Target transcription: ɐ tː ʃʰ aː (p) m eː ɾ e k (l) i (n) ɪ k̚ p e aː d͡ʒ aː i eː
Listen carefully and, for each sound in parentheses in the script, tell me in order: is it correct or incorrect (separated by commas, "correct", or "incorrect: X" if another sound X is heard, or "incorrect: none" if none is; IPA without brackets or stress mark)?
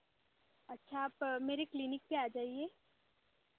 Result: correct, correct, correct